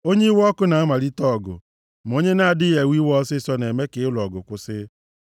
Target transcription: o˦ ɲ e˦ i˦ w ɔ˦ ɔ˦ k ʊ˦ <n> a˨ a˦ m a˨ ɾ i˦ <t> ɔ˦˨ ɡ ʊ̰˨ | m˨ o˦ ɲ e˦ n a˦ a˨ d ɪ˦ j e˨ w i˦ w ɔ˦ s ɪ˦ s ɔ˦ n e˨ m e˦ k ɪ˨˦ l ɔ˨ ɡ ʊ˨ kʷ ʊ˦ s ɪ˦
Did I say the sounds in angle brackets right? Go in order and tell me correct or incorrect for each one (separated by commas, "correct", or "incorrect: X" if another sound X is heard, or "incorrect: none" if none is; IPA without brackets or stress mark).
correct, correct